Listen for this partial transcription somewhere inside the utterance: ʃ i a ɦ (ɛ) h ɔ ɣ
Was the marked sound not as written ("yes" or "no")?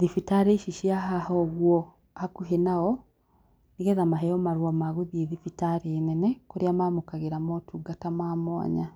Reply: yes